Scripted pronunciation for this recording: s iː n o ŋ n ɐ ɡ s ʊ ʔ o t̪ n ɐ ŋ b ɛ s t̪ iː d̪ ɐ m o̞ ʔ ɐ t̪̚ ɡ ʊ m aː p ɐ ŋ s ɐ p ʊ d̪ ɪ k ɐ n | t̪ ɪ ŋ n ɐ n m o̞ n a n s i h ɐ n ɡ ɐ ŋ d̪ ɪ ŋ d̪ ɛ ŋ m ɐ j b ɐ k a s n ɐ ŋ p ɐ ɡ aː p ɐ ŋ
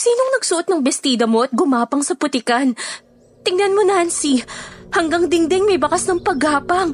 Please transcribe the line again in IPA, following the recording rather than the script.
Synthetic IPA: s iː n o ŋ n ɐ ɡ s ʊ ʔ o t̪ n ɐ ŋ b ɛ s t̪ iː d̪ ɐ m o̞ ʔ ɐ t̪̚ ɡ ʊ m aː p ɐ ŋ s ɐ p ʊ t̪ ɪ k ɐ n | t̪ ɪ ŋ n ɐ n m o̞ n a n s i h ɐ ŋ ɡ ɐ ŋ d̪ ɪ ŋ d̪ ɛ ŋ m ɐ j b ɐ k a s n ɐ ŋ p ɐ ɡ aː p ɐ ŋ